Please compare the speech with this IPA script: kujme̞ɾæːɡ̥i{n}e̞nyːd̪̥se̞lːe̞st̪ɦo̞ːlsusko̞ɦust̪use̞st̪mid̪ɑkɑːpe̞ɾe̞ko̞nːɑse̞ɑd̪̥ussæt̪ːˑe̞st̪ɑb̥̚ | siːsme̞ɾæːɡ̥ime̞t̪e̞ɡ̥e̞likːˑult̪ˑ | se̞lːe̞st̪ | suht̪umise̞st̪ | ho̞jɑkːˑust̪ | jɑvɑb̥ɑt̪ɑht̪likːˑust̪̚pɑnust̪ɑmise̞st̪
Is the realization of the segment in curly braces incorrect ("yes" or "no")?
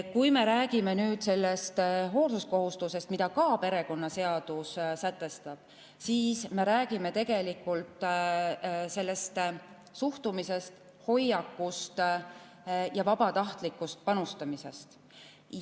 yes